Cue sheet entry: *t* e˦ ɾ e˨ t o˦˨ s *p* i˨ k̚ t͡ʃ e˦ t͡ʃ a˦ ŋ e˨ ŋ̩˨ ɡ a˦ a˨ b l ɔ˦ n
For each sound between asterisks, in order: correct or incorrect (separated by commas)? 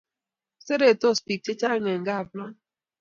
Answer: incorrect, correct